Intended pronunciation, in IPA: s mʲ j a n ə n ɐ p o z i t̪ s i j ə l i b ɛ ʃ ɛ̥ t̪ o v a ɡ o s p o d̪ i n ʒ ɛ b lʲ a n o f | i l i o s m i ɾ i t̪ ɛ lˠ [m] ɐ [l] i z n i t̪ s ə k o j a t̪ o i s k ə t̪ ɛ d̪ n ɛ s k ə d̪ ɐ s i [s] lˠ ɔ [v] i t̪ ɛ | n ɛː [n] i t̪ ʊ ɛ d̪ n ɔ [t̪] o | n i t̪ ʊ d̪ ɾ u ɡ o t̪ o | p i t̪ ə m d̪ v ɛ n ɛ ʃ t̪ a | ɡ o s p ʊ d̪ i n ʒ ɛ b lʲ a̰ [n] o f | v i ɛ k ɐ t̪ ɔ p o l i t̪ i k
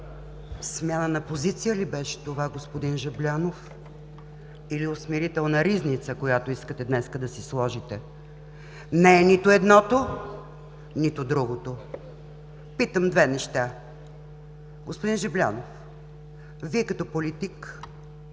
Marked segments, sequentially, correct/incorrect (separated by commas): incorrect, incorrect, correct, incorrect, correct, correct, correct